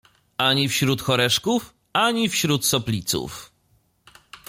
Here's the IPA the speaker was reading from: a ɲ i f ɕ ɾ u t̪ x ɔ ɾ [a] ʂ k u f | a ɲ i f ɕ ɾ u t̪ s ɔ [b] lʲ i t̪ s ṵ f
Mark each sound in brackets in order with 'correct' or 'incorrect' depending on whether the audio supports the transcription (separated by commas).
incorrect, incorrect